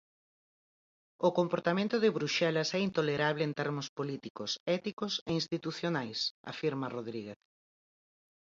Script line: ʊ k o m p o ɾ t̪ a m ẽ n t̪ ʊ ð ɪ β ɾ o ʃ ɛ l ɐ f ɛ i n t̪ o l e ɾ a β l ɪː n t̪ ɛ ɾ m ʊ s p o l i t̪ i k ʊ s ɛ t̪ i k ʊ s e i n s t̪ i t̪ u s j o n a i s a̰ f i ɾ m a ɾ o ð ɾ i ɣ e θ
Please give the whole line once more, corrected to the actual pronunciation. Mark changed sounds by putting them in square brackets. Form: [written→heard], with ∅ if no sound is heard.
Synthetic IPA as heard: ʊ k o m p o ɾ t̪ a m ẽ n t̪ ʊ ð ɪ β ɾ [o→u] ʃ ɛ l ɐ [f→s] ɛ i n t̪ o l e ɾ a β l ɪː n t̪ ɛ ɾ m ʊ s p o l i t̪ i k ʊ s ɛ t̪ i k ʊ s e i n s t̪ i t̪ u [s→θ] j o n a [i→j] s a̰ f i ɾ m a [ɾ→r] o ð ɾ i ɣ e θ